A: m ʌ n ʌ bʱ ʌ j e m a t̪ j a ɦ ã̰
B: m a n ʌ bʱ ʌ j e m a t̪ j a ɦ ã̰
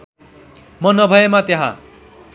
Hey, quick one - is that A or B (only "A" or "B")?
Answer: A